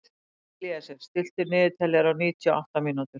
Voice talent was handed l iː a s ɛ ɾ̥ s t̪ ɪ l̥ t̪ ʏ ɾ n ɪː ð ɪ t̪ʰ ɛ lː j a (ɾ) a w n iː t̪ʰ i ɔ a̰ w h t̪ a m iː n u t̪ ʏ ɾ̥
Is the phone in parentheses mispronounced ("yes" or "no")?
no